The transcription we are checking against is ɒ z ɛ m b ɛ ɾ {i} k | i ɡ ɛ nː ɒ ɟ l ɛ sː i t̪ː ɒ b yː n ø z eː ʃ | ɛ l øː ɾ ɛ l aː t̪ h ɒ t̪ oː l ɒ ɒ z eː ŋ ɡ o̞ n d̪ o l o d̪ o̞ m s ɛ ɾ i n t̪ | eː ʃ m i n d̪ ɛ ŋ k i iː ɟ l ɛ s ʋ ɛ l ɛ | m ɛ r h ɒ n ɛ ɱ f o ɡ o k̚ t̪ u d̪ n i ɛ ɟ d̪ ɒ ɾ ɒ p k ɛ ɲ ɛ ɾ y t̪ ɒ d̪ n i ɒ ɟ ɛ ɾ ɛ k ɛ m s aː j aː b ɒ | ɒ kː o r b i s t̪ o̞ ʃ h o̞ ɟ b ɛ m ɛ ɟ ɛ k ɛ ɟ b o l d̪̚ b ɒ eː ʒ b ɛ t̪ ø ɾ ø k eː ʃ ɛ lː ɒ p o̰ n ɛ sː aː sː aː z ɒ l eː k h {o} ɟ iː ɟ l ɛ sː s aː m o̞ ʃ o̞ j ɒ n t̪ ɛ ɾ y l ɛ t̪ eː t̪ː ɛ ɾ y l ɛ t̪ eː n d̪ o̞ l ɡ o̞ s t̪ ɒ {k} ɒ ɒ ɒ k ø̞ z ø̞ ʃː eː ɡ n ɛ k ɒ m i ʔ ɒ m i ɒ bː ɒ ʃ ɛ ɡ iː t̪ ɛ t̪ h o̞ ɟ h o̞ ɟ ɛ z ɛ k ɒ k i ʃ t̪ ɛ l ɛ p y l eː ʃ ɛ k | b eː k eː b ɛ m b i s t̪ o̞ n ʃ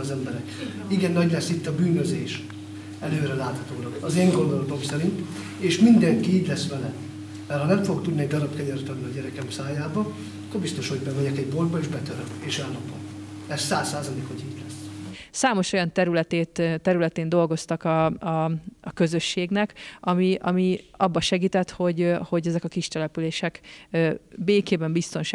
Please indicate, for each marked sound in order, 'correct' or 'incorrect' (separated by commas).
incorrect, correct, correct